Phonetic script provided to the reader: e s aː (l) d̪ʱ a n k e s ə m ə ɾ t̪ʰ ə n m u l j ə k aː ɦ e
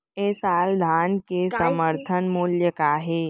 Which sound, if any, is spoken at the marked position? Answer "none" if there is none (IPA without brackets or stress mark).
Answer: l